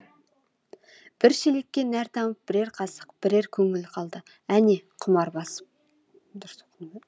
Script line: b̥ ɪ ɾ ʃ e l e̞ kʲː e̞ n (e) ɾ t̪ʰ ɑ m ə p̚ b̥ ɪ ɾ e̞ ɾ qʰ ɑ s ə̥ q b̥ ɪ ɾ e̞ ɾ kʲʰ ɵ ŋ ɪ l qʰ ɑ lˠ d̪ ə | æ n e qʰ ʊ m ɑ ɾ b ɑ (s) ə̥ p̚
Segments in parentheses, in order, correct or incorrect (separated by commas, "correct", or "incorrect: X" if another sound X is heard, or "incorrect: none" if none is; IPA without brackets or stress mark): incorrect: æ, correct